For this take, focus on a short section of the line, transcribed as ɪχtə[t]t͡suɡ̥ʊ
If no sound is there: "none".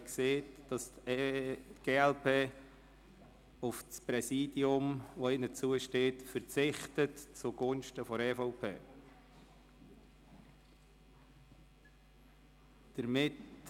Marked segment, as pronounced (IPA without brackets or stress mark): t